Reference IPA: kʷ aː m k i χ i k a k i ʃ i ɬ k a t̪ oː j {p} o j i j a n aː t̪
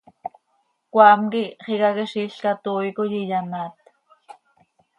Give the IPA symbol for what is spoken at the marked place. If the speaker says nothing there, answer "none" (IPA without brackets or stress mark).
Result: k